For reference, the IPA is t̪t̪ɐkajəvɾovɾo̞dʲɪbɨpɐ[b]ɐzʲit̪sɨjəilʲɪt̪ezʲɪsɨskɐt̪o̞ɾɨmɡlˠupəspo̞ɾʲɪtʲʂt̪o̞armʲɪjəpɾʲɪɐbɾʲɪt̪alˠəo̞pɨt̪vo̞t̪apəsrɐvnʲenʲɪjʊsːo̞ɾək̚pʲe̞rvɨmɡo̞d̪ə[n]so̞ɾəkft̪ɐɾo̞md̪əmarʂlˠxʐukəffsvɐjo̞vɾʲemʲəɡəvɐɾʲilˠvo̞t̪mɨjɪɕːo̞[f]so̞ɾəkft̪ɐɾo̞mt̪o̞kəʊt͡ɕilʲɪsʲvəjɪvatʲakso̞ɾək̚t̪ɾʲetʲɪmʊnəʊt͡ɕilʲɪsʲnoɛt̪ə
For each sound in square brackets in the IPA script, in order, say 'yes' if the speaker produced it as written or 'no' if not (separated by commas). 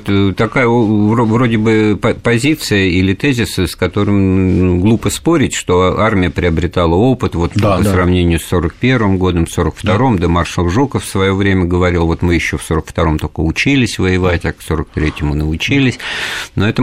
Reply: no, no, yes